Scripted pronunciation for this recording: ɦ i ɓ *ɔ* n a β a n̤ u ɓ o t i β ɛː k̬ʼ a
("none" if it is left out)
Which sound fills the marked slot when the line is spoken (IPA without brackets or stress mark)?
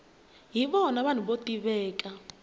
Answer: ɔ